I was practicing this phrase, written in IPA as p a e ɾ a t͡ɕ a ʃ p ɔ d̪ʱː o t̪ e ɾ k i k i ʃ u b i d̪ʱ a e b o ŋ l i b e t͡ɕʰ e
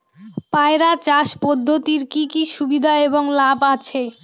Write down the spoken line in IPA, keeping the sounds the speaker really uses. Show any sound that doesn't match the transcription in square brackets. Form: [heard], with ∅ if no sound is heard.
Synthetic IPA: p a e ɾ a t͡ɕ a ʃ p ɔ d̪ʱː o t̪ [i] ɾ k i k i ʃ u b i d̪ʱ a e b o ŋ l [a] b [a] t͡ɕʰ e